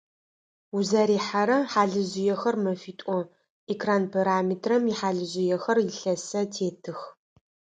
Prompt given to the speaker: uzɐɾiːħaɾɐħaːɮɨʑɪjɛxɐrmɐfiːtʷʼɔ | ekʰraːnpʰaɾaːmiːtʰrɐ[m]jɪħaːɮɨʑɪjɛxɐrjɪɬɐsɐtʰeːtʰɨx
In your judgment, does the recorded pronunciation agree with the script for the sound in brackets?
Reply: yes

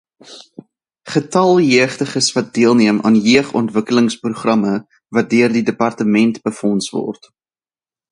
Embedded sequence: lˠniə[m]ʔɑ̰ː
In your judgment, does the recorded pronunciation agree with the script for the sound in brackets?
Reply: yes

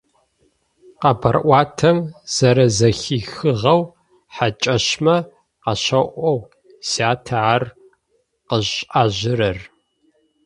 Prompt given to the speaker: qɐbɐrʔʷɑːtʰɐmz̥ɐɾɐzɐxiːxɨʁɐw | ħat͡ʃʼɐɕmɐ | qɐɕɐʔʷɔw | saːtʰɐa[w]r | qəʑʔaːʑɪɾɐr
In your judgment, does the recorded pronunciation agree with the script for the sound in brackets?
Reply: no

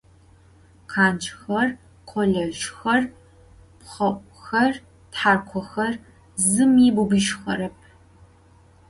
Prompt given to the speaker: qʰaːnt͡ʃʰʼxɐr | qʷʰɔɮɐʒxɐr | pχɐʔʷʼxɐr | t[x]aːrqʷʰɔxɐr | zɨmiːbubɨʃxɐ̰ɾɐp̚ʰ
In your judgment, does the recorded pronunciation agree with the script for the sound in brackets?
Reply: no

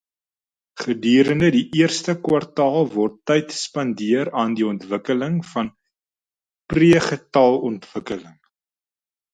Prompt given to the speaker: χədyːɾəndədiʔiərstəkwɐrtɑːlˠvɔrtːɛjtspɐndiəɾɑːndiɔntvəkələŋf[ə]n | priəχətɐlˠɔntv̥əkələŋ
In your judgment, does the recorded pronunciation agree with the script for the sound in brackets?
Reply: no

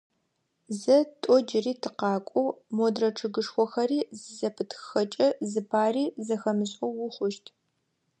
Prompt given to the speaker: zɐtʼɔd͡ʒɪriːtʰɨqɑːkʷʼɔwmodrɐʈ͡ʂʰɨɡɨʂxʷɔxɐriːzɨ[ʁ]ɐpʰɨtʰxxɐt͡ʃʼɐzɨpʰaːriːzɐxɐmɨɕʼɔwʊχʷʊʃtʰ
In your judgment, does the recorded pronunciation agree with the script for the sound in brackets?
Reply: no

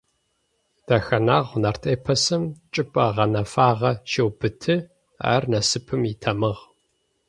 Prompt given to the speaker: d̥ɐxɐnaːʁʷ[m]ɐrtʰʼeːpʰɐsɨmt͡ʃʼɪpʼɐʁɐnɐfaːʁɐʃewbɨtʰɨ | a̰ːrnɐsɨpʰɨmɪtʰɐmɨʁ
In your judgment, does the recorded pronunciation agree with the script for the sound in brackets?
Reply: no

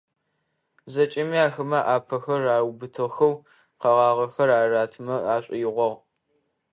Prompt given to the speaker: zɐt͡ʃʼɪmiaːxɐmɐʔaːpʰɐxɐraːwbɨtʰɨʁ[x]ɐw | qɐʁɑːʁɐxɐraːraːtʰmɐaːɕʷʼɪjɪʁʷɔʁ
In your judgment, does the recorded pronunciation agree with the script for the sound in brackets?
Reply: yes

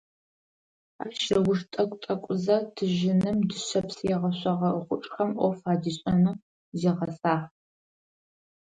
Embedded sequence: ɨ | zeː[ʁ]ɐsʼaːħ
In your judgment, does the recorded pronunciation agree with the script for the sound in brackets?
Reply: yes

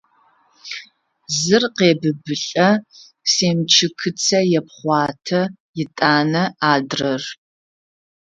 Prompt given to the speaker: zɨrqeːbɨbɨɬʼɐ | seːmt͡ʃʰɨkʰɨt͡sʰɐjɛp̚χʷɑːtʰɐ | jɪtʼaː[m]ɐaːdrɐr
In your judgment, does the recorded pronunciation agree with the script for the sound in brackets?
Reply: no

